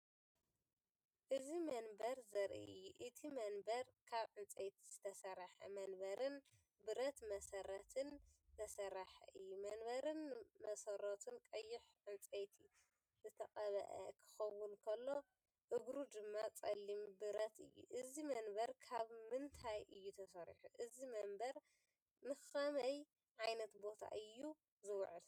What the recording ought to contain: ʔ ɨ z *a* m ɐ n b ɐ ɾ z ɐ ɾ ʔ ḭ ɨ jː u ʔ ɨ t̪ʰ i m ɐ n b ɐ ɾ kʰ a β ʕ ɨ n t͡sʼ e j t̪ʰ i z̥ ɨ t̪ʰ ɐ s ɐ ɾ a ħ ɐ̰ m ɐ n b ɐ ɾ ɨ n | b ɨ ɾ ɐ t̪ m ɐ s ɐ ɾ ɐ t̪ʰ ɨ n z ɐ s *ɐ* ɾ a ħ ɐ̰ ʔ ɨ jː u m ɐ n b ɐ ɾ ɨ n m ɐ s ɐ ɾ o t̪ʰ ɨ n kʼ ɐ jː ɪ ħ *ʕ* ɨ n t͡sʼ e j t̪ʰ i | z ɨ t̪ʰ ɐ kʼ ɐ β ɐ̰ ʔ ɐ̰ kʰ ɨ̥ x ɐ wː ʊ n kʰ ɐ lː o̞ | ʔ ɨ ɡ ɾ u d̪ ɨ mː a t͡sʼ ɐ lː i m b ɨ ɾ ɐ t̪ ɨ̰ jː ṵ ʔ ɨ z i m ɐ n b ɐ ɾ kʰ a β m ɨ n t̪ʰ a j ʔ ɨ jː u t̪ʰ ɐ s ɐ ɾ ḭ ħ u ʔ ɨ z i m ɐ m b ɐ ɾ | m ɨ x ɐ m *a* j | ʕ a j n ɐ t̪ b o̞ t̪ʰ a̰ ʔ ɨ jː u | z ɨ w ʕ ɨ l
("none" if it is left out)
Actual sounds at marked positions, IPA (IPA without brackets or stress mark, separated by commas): i, ɐ, ʕ, ɐ